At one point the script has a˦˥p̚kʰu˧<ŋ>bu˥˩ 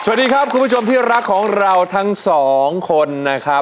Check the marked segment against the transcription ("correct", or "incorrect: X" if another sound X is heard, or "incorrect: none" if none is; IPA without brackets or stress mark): incorrect: n